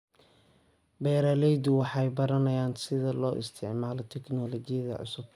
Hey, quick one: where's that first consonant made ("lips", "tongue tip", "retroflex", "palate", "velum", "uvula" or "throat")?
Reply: lips